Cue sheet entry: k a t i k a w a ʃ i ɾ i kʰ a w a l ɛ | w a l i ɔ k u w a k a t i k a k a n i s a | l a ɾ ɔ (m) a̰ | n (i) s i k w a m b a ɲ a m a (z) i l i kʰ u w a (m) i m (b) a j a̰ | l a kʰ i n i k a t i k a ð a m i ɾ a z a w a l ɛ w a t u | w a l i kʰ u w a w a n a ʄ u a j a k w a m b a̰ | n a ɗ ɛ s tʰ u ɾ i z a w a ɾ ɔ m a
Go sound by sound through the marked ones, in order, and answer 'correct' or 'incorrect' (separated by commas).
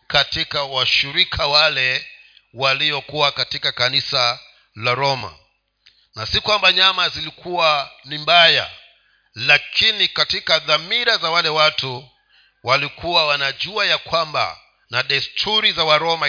correct, incorrect, correct, incorrect, correct